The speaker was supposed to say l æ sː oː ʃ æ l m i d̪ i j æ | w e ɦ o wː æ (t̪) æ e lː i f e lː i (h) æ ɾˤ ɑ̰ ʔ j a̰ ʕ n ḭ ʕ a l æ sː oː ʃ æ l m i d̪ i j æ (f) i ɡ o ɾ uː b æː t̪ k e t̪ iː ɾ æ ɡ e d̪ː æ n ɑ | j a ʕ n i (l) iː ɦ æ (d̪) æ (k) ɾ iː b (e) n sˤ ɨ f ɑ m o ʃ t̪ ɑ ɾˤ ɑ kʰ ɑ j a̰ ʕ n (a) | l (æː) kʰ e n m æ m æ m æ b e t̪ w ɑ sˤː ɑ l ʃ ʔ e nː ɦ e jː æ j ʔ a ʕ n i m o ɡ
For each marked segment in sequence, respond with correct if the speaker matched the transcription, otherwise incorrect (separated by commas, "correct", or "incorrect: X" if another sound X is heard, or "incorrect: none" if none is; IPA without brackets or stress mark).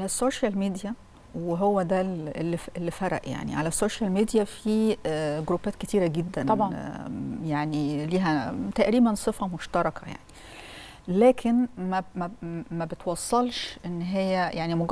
incorrect: d̪, incorrect: f, correct, correct, incorrect: t̪, incorrect: ʔ, incorrect: æ, incorrect: i, correct